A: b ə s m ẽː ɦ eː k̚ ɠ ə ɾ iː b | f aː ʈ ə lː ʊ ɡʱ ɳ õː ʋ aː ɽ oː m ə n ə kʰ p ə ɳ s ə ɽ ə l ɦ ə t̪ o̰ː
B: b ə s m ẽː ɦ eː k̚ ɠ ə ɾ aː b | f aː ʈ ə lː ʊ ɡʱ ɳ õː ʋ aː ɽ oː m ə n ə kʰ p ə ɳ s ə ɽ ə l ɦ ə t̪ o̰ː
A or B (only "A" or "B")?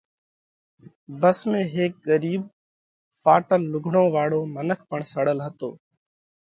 A